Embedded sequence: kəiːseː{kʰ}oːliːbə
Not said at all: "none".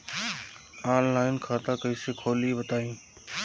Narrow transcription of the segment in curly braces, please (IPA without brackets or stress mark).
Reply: kʰ